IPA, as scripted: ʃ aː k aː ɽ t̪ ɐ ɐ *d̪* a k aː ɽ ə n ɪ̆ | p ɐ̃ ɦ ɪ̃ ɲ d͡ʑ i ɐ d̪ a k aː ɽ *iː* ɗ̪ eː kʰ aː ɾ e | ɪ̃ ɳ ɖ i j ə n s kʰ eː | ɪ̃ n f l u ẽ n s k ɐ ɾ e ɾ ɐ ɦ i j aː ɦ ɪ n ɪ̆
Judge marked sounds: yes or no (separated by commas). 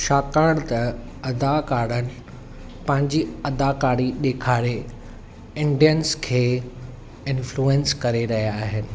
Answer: yes, no